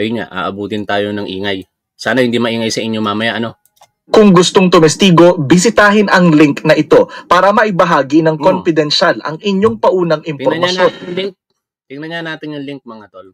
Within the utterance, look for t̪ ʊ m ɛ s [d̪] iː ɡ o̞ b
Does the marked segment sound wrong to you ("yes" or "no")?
yes